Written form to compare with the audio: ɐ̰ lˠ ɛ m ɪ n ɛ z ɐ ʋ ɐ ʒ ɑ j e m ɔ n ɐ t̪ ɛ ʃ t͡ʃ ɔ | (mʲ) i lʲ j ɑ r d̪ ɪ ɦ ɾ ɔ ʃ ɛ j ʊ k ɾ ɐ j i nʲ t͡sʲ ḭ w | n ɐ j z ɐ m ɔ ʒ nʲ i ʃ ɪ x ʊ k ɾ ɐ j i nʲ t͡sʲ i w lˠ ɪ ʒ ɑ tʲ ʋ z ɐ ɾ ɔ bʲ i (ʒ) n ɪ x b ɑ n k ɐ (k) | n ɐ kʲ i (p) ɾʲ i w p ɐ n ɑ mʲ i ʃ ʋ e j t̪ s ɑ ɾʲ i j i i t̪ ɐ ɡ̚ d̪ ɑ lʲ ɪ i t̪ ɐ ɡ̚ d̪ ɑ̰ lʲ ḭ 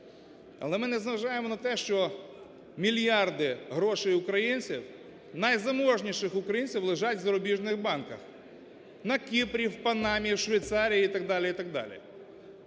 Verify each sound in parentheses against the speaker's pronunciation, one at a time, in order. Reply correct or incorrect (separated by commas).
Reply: correct, correct, incorrect, correct